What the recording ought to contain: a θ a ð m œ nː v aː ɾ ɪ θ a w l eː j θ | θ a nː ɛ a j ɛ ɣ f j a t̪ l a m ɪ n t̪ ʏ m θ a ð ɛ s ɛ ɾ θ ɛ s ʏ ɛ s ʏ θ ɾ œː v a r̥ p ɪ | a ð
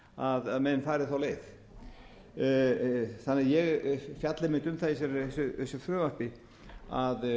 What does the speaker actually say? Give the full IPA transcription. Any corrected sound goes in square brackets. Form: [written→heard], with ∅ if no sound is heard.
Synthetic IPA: a [θ→ð] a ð m [œ→ɛ] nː [v→f] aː ɾ ɪ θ a w l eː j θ | θ a nː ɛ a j ɛ ɣ f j a t̪ l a m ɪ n t̪ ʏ m θ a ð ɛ s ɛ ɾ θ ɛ s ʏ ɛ s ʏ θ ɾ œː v a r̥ p ɪ | a ð